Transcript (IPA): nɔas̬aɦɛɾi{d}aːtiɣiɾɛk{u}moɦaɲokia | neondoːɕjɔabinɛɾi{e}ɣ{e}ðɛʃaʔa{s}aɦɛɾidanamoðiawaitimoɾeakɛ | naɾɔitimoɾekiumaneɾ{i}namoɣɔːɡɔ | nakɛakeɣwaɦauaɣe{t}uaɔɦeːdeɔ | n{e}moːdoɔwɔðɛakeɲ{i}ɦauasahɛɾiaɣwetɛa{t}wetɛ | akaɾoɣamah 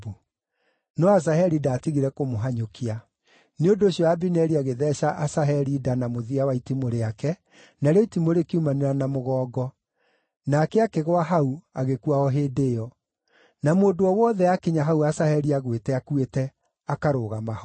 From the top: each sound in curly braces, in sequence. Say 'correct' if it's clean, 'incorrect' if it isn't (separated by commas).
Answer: correct, incorrect, incorrect, correct, correct, incorrect, incorrect, incorrect, incorrect, incorrect